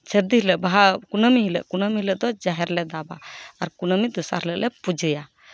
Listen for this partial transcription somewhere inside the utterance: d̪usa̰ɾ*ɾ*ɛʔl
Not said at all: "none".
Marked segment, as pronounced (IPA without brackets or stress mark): l